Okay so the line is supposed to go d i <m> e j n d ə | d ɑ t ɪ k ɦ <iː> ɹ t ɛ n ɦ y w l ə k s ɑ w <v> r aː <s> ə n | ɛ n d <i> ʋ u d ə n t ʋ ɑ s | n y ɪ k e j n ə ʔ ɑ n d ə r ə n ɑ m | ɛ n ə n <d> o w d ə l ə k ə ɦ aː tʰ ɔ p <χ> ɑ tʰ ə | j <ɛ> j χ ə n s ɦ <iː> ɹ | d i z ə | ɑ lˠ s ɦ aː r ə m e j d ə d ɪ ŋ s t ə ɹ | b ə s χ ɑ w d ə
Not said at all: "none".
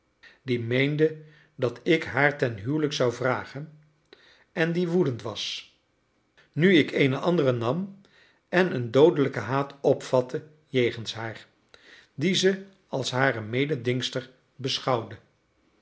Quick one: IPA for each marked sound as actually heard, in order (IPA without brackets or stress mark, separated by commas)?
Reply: m, aː, v, χ, i, d, f, e, aː